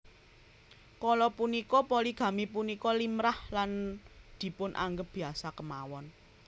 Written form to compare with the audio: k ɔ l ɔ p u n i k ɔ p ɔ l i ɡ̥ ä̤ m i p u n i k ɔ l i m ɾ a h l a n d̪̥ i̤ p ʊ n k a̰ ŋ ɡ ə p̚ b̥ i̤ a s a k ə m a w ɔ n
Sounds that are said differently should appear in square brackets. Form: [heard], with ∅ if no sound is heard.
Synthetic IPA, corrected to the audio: k ɔ l ɔ p u n i k ɔ p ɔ l i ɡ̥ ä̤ m i p u n i k ɔ l i m ɾ a h l a n d̪̥ i̤ p ʊ n [ʔ] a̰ ŋ ɡ ə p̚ b̥ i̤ a s a k ə m a w ɔ n

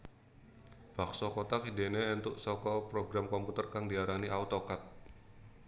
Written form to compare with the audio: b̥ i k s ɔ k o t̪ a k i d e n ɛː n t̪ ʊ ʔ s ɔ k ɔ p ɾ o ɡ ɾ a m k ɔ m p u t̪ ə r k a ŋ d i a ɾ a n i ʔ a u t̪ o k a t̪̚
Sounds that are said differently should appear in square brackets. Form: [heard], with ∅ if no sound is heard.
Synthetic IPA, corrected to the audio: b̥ [a] k s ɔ k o t̪ a k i d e n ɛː n t̪ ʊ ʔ s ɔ k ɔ p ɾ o ɡ ɾ a m k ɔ m p u t̪ ə r k a ŋ d i a ɾ a n i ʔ a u t̪ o k a t̪̚

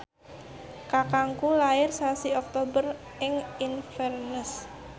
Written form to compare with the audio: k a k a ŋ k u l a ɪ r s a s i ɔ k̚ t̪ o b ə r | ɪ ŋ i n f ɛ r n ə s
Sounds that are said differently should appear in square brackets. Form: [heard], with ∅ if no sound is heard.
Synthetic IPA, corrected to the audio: k a k a ŋ k u l a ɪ r s a s i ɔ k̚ t̪ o b ə r | ɪ ŋ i n f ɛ r n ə s

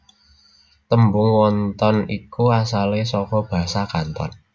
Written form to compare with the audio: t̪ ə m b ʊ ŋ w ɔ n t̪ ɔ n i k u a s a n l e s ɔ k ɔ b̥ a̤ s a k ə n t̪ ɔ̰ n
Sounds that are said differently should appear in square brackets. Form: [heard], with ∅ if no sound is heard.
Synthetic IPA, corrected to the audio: t̪ ə m b ʊ ŋ w ɔ n t̪ ɔ n i k u a s a [∅] l e s ɔ k ɔ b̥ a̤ s a k [a] n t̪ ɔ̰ n

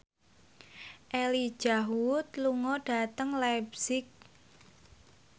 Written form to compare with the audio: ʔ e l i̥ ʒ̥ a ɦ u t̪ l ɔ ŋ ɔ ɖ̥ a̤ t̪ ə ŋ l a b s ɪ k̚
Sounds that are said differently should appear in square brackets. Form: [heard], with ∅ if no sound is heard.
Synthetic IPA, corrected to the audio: ʔ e l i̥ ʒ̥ a ɦ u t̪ l [u] ŋ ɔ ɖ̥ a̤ t̪ ə ŋ l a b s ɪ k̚

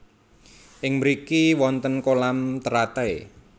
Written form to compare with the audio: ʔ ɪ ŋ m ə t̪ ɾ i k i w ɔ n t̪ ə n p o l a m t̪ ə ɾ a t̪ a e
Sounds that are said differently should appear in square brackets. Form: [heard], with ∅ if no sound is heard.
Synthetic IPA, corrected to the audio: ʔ ɪ ŋ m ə [∅] ɾ i k i w ɔ n t̪ ə n [k] o l a m t̪ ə ɾ a t̪ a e

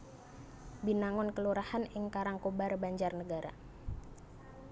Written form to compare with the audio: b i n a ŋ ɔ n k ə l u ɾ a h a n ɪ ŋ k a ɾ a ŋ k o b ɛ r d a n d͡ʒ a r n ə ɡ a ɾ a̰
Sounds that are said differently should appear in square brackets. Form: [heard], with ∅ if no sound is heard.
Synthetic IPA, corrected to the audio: b i n a ŋ ɔ n k ə l u ɾ a h a n ɪ ŋ k a ɾ a ŋ k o b [a] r [b] a [ɲ] d͡ʒ a r n ə ɡ a ɾ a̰

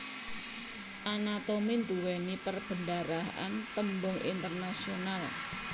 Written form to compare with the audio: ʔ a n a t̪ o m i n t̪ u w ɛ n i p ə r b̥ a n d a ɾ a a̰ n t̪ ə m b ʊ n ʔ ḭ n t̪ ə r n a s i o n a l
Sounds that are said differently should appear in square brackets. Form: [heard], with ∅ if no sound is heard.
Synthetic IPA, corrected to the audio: ʔ a n a t̪ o m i n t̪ u w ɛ n i p ə r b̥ [ə] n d a ɾ a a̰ n t̪ ə m b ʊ [ŋ] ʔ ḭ n t̪ ə r n a s i o n a l

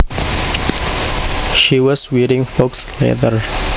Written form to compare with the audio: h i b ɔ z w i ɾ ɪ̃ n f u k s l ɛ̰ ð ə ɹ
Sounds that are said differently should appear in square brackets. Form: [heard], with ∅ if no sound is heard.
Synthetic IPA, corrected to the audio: [ʃ] i [w] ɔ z w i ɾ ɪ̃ [ŋ] f [o] k s l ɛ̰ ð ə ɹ

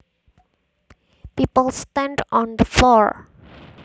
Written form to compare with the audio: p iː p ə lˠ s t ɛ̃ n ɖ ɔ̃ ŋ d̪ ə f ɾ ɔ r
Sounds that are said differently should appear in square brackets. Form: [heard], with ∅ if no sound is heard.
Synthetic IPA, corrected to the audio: p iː p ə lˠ s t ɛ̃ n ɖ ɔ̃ [n] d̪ ə f [l] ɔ [ɹ]

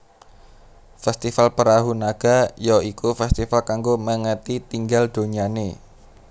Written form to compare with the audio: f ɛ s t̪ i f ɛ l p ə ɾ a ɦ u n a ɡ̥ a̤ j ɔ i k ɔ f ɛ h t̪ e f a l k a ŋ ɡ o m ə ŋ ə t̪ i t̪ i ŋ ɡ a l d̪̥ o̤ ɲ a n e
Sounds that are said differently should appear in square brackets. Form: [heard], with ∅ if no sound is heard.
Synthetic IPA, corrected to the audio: f ɛ s t̪ i f [a] l p ə ɾ a ɦ u n a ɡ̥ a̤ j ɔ i k [u] f ɛ [s] t̪ [i] f a l k a ŋ ɡ o m ə ŋ ə t̪ i t̪ i ŋ ɡ a l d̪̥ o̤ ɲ a n e

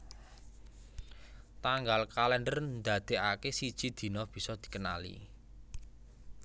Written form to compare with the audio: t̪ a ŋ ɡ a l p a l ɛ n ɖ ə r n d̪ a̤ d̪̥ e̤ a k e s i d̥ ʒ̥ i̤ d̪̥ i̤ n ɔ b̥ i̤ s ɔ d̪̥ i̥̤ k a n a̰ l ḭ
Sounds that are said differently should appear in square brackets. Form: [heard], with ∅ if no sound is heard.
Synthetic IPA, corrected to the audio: t̪ a ŋ ɡ a l [k] a l ɛ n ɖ ə r n d̪ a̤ d̪̥ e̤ a k e s i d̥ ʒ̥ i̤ d̪̥ i̤ n ɔ b̥ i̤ s ɔ d̪̥ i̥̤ k [ə] n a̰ l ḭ

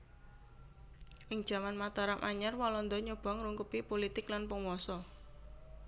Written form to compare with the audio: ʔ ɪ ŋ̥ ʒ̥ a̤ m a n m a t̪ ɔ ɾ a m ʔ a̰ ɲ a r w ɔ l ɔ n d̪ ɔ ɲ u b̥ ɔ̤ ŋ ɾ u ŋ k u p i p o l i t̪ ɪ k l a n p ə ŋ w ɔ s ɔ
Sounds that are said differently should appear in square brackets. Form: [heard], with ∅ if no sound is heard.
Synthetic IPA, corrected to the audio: ʔ ɪ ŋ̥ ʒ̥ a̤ m a n m a t̪ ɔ ɾ a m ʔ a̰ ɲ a r w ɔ l ɔ n d̪ ɔ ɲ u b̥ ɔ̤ ŋ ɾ u ŋ k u p i p o l i t̪ ɪ k l a n p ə ŋ w ɔ s ɔ

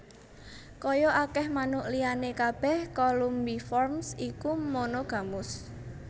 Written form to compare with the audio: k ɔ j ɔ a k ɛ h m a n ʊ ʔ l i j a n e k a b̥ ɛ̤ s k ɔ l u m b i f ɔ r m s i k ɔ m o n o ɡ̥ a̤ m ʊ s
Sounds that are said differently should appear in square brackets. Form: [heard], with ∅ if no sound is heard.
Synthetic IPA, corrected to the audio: k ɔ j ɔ a k ɛ h m a n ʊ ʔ l i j a n e k a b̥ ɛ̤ [h] k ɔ l u m b i f ɔ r m s i k [u] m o n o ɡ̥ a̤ m ʊ s

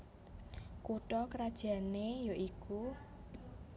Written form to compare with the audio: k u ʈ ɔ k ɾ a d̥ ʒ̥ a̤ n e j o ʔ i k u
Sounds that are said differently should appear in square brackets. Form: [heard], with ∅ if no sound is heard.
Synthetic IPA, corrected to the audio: k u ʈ ɔ k ɾ a d̥ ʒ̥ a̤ n e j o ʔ i k u

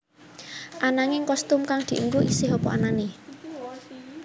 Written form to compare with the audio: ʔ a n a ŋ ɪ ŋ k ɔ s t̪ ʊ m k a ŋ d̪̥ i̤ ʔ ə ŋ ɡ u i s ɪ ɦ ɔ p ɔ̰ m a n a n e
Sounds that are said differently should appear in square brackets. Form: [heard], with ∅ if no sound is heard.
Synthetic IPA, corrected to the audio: ʔ a n a ŋ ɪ ŋ k ɔ s t̪ ʊ m k a ŋ d̪̥ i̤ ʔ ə ŋ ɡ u i s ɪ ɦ ɔ p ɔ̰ [∅] a n a n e

